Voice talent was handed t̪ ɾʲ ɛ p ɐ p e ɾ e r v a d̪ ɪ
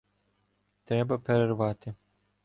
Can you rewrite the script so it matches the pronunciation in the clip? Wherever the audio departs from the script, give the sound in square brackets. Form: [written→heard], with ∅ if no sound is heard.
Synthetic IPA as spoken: t̪ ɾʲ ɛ [p→b] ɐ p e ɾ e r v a [d̪→t̪] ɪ